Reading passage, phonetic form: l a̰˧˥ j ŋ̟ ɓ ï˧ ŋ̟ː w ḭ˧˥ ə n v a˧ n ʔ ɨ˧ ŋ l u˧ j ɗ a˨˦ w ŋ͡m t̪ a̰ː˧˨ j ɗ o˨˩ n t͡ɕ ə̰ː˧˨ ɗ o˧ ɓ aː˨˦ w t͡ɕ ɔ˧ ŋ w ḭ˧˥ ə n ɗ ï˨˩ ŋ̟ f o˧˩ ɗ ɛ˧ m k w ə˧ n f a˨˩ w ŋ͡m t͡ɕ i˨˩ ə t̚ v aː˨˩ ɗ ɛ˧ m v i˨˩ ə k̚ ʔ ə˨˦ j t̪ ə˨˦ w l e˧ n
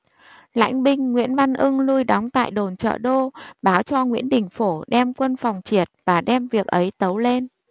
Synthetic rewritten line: l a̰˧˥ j ŋ̟ ɓ ï˧ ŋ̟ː w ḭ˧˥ ə n v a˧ n ʔ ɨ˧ ŋ l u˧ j ɗ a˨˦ w ŋ͡m t̪ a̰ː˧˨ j ɗ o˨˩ n t͡ɕ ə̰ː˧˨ ɗ o˧ ɓ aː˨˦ w t͡ɕ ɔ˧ ŋ w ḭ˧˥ ə n ɗ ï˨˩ ŋ̟ f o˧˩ ɗ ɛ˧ m k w ə˧ n f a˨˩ w ŋ͡m t͡ɕ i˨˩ ə t̚ v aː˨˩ ɗ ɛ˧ m v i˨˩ ə k̚ ʔ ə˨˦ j t̪ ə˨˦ w l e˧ n